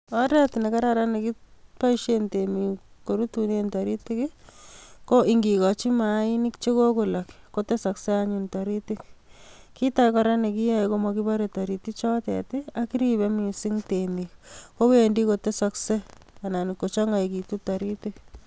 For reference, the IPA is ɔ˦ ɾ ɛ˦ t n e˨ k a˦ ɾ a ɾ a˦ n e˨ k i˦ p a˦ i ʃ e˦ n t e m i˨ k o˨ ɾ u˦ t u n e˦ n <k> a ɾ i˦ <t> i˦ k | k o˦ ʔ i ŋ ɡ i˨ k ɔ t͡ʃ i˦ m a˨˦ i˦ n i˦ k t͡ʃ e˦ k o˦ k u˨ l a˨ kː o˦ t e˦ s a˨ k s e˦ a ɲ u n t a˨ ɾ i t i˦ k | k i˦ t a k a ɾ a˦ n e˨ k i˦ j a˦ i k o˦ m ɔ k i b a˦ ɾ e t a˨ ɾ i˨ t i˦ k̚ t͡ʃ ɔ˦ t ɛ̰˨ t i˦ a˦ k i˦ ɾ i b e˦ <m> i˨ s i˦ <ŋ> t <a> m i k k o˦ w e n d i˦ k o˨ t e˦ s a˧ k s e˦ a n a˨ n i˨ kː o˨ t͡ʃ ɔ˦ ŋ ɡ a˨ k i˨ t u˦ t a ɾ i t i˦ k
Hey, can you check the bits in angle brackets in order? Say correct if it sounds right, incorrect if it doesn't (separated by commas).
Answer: incorrect, correct, correct, correct, incorrect